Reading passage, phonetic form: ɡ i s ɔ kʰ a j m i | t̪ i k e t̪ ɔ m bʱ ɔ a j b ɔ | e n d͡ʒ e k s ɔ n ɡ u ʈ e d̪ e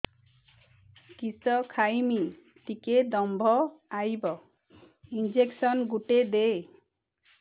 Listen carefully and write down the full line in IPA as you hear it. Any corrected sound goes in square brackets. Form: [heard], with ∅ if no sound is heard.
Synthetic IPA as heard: [k] i s ɔ kʰ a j m i | t̪ i k e [d̪] ɔ m bʱ ɔ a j b ɔ | [i] n d͡ʒ e k s ɔ n ɡ u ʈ e d̪ e